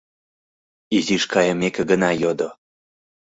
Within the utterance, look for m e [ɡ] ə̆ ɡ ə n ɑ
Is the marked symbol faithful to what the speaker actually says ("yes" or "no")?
no